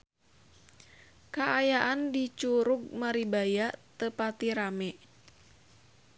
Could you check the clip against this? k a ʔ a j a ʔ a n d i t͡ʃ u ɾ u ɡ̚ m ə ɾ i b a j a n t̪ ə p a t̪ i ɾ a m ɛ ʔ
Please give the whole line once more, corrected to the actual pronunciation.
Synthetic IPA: k a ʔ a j a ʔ a n d i t͡ʃ u ɾ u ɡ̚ m a ɾ i b a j a t̪ ə p a t̪ i ɾ a m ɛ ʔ